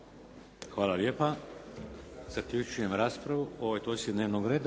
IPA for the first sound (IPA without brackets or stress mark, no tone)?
x